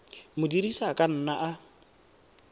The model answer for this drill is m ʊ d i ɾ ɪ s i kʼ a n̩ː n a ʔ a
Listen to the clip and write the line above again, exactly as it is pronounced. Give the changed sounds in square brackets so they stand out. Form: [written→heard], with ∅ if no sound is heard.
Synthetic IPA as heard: m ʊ d i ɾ [ɪ→i] s [i→a] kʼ a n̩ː n a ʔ a